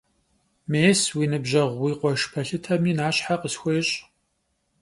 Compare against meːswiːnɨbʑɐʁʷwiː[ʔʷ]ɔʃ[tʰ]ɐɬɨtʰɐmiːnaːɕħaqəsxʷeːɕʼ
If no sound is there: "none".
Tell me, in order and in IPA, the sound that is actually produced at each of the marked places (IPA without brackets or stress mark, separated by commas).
qʷ, pʰ